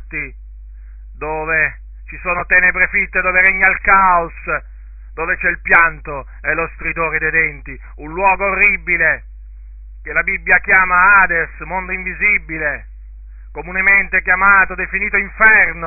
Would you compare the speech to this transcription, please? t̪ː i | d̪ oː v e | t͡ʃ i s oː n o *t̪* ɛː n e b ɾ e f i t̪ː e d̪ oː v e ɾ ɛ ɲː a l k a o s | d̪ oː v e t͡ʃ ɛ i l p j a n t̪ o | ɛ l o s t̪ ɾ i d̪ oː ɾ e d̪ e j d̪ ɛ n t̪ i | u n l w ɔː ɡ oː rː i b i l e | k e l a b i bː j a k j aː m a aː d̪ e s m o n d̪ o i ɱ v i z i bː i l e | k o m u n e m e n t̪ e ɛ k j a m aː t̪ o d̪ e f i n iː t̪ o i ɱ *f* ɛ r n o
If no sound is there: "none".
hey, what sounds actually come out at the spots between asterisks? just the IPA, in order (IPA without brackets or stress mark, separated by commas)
t̪, f